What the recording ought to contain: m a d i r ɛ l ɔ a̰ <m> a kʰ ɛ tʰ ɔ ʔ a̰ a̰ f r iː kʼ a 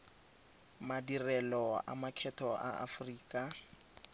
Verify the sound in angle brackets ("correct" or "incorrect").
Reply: correct